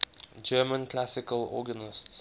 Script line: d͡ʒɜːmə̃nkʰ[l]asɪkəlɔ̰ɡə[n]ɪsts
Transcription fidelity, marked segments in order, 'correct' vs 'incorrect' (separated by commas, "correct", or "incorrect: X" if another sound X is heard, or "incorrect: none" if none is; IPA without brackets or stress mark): correct, correct